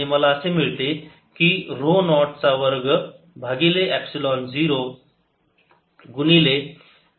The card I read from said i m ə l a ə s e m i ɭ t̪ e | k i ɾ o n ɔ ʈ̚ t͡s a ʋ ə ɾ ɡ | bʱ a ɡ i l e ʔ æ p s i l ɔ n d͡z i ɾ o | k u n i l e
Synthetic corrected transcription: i m ə l a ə s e m i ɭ t̪ e | k i ɾ o n ɔ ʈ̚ t͡s a ʋ ə ɾ ɡ | bʱ a ɡ i l e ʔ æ p s i l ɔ n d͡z i ɾ o | ɡ u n i l e

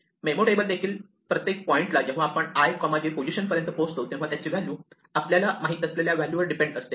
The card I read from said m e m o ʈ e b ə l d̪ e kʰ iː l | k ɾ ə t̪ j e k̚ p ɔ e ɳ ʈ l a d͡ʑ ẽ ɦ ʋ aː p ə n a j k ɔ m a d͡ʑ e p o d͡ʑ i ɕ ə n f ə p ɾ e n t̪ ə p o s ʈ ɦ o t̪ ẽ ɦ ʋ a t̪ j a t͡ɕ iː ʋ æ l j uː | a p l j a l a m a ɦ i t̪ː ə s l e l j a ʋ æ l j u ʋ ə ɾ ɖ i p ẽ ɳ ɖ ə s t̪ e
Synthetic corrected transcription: m e m o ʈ e b ə l d̪ e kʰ iː l | p ɾ ə t̪ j e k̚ p ɔ i ɳ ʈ l a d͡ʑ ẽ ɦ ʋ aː p ə ɳ a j k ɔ m a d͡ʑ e p o d͡ʑ i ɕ ə n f ə ɾ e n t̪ ə p o s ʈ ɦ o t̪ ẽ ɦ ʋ a t̪ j a t͡ɕ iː ʋ æ l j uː | a p l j a l a m a ɦ i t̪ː ə s l e l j a ʋ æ l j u ʋ ə ɾ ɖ i p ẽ ɳ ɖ ə s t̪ e

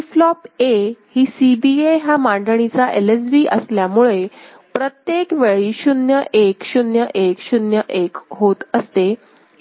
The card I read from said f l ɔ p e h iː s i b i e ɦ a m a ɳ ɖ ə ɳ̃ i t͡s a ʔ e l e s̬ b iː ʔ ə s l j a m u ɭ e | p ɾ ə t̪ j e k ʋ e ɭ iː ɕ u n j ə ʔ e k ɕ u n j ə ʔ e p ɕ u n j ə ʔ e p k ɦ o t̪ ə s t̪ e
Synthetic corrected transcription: f l ɔ p e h iː s i b i e ɦ a m a ɳ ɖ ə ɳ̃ i t͡s a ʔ e l e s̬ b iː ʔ ə s l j a m u ɭ e | p ɾ ə t̪ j e k ʋ e ɭ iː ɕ u n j ə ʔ e k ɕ u n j ə ʔ e k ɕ u n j ə ʔ e k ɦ o t̪ ə s t̪ e

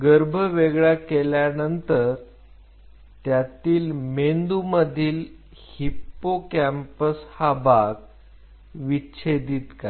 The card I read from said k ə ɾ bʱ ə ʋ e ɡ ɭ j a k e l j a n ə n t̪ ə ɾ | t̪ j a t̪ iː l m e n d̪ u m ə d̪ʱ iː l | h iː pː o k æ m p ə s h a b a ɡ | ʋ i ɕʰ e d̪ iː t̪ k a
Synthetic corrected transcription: ɡ ə ɾ bʱ ə ʋ e ɡ ɭ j a k e l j a n ə n t̪ ə ɾ | t̪ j a t̪ iː l m e n d̪ u m ə d̪ʱ iː l | h i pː o k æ m p ə s h a b a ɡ | ʋ i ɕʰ e d̪ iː t̪ k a

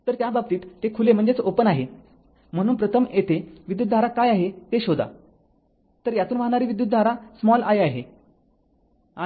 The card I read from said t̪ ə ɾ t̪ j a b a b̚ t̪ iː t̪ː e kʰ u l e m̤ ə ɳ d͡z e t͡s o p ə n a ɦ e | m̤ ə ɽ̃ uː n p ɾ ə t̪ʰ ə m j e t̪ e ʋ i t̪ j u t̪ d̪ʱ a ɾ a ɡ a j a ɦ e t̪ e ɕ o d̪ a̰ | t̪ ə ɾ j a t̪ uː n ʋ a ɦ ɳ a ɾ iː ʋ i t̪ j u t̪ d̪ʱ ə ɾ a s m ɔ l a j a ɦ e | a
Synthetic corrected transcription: t̪ ə ɾ t̪ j a b a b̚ t̪ iː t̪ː e kʰ u l e m̤ ə ɳ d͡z e t͡s o p ə n a ɦ e | m̤ ə ɽ̃ uː n p ɾ ə t̪ʰ ə m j e t̪ e ʋ i d̪ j u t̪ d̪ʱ a ɾ a k a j a ɦ e t̪ e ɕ o d̪ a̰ | t̪ ə ɾ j a t̪ uː n ʋ a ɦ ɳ a ɾ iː ʋ i d̪ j u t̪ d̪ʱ a ɾ a s m ɔ l a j a ɦ e | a

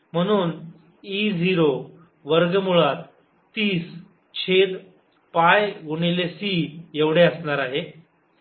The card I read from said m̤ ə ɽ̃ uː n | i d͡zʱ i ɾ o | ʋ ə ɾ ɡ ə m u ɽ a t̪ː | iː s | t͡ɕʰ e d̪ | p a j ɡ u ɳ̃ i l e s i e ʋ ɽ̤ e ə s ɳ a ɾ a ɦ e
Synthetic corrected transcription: m̤ ə ɽ̃ uː n | i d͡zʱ i ɾ o | ʋ ə ɾ ɡ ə m u ɭ a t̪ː | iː s | t͡ɕʰ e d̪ | p a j ɡ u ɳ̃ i l e s i e ʋ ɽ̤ e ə s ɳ a ɾ a ɦ e

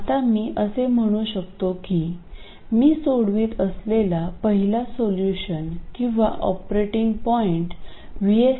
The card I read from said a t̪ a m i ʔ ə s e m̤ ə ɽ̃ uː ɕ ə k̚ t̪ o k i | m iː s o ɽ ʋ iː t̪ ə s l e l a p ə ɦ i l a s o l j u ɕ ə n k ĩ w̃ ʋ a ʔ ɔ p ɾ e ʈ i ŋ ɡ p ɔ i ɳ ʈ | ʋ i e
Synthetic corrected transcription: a t̪ a m iː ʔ ə s e m̤ ə ɽ̃ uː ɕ ə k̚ t̪ o k i | m iː s o ɽ ʋ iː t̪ ə s l e l a p ə ɦ i l a s o l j u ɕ ə n k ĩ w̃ ʋ a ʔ ɔ p ɾ e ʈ i ŋ ɡ p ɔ i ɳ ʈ | ʋ i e

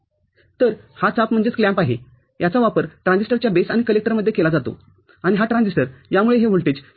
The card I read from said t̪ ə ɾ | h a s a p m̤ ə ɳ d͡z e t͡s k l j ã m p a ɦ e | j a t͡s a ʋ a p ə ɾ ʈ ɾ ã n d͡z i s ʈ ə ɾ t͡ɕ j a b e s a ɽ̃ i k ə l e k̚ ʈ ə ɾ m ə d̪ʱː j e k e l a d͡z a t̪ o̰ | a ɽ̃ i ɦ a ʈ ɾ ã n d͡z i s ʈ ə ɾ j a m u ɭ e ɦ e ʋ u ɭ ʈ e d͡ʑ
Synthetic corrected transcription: t̪ ə ɾ | h a t͡s a p m̤ ə ɳ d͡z e t͡s k l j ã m p a ɦ e | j a t͡s a ʋ a p ə ɾ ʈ ɾ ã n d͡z i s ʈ ə ɾ t͡ɕ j a b e s a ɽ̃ i k ə l e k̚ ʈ ə ɾ m ə d̪ʱː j e k e l a d͡z a t̪ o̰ | a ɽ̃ i ɦ a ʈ ɾ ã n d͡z i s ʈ ə ɾ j a m u ɭ e ɦ e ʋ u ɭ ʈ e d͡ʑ

